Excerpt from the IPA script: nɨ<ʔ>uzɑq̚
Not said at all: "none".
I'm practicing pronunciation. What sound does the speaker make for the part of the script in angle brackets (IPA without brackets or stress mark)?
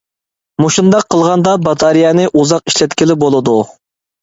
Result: ʔ